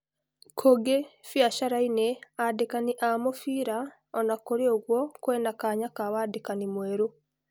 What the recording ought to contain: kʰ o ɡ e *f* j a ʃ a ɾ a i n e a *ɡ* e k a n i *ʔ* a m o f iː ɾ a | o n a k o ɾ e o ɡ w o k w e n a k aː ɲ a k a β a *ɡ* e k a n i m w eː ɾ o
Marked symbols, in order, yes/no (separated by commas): yes, no, yes, no